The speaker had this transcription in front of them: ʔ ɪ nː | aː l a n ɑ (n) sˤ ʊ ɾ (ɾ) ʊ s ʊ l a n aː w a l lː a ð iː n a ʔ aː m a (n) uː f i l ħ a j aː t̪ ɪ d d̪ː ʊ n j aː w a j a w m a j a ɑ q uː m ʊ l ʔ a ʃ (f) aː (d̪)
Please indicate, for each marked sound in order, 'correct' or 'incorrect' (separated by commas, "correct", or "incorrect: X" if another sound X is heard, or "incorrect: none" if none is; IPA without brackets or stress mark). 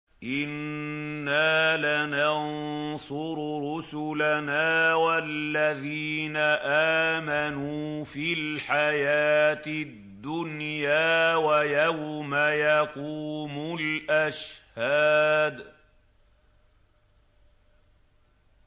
correct, correct, correct, incorrect: h, correct